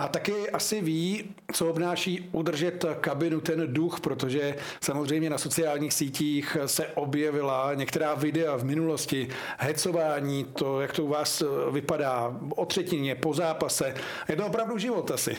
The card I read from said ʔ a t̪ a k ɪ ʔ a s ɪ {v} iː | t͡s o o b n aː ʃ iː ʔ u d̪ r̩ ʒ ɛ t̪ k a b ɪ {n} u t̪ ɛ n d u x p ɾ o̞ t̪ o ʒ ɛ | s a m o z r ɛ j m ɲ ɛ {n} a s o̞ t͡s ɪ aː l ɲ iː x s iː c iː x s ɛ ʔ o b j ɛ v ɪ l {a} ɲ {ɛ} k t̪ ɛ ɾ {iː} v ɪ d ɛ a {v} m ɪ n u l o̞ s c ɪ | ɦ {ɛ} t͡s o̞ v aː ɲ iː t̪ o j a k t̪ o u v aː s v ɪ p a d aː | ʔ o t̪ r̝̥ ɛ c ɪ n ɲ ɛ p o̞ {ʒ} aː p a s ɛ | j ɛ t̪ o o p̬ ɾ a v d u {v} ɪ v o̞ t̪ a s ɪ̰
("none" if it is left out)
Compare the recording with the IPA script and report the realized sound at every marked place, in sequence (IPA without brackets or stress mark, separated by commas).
v, n, n, a, ɛ, aː, v, ɛ, z, ʒ